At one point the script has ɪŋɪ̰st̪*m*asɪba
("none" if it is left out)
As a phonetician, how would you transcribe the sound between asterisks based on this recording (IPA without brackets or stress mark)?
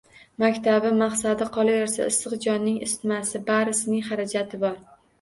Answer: m